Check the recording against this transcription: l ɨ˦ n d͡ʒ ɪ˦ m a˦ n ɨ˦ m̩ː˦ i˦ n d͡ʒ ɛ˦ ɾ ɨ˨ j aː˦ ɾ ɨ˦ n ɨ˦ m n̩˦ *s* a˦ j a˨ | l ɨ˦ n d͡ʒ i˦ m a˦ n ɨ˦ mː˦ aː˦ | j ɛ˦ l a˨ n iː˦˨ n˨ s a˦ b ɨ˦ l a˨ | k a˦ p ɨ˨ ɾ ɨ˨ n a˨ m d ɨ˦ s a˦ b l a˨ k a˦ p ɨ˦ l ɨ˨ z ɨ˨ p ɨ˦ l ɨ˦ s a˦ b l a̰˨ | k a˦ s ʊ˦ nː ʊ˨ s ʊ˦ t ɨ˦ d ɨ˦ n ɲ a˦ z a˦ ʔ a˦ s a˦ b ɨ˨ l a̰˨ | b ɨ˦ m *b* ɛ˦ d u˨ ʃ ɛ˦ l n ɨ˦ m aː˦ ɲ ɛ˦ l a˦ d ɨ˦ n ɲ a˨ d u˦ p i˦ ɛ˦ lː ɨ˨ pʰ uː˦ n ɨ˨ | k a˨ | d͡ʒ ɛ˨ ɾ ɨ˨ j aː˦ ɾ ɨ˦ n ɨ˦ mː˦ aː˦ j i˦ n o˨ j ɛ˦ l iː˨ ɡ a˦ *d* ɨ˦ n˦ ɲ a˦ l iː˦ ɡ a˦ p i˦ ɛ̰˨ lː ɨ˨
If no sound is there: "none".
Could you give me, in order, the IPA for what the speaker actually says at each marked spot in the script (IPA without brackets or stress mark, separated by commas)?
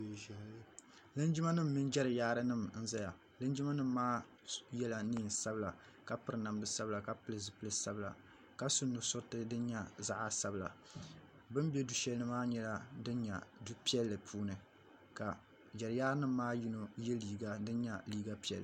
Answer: z, b, d